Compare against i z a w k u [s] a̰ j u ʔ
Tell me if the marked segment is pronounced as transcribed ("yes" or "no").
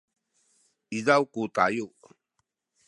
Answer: no